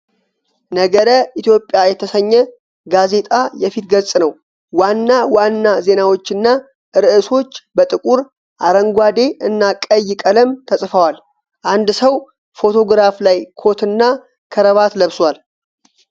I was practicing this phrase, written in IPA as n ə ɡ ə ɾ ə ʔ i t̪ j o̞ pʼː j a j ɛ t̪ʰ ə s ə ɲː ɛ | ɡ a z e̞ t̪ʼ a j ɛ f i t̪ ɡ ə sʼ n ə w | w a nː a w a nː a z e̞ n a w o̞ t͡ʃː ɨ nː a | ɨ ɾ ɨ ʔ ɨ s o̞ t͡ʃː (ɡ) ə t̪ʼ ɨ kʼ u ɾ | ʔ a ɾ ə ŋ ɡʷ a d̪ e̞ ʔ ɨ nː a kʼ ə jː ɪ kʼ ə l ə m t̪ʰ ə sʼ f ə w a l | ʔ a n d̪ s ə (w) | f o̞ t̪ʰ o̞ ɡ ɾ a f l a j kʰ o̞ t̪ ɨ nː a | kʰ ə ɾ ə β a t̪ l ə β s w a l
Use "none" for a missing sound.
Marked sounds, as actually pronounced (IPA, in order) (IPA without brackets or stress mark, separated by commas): b, w